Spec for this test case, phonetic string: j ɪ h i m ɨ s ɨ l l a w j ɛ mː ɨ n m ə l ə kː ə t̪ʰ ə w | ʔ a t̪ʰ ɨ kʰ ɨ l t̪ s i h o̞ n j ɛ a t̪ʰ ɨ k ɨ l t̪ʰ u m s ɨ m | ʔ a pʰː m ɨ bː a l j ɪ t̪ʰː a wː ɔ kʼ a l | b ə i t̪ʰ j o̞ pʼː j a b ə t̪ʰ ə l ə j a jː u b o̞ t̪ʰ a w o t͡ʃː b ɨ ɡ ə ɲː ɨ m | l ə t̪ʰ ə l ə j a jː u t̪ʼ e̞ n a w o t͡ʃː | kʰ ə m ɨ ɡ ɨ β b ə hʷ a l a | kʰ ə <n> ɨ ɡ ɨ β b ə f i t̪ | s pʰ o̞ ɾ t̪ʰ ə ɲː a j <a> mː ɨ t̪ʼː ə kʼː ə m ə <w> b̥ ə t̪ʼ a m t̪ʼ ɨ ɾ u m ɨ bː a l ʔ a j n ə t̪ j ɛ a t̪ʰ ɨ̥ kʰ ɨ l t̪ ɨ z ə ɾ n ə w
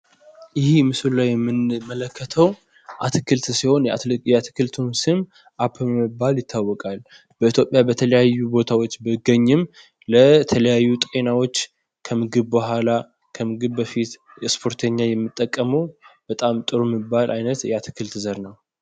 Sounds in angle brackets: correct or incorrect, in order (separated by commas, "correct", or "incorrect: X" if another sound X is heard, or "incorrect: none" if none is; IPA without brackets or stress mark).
incorrect: m, incorrect: ɛ, correct